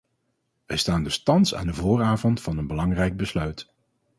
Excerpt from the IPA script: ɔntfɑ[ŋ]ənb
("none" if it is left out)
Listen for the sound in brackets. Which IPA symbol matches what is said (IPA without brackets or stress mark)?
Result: n